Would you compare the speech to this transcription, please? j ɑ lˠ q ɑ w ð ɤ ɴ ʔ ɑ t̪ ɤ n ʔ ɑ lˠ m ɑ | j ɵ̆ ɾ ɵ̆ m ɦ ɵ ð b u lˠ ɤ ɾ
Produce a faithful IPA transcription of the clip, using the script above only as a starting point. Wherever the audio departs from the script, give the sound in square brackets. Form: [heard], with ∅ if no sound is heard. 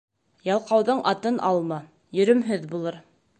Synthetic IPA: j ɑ lˠ q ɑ w ð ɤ ɴ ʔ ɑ t̪ ɤ n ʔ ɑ lˠ m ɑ | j ɵ̆ ɾ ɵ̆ m ɦ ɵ ð b u lˠ ɤ ɾ